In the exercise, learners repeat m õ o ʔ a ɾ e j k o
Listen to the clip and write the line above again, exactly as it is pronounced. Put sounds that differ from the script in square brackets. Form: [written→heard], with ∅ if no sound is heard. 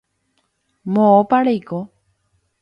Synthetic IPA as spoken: m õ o [ʔ→p] a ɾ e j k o